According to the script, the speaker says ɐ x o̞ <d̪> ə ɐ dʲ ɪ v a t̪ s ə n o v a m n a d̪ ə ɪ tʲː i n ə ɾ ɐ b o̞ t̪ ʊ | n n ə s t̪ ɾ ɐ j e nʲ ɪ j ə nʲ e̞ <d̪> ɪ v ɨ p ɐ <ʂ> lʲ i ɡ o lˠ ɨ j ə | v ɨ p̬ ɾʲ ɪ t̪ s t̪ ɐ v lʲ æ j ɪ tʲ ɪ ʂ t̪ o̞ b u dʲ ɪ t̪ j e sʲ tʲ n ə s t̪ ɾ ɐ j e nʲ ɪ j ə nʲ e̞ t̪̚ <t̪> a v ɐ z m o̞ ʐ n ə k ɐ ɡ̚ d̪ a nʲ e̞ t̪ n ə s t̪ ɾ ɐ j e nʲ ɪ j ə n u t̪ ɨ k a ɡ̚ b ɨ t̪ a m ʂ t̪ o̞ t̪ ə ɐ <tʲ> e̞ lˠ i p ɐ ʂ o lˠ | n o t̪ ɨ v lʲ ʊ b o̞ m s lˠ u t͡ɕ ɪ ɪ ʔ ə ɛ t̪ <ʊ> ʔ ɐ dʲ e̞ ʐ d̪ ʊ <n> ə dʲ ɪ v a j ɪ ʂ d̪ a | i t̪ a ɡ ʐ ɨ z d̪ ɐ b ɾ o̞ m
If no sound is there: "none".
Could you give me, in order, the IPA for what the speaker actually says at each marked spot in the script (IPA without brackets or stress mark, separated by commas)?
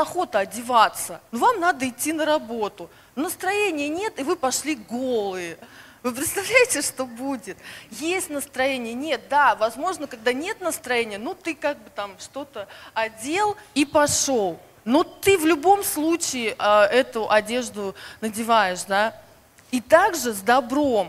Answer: t̪, t̪, ʂ, d̪, dʲ, ʊ, n